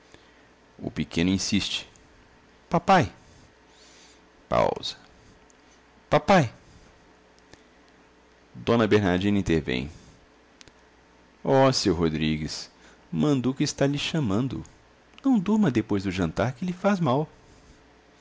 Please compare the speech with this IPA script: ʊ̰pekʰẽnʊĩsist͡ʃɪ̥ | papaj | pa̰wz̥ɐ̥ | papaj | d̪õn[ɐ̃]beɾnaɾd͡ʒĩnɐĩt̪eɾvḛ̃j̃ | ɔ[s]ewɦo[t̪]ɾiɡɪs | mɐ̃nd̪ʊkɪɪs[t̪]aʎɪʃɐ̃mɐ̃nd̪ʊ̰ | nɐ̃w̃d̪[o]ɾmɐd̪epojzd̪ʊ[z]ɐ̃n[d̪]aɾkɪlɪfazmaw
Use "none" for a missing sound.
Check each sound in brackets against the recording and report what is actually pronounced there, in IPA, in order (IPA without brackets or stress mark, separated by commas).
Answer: ɐ, s, d̪, t̪, u, ʒ, t̪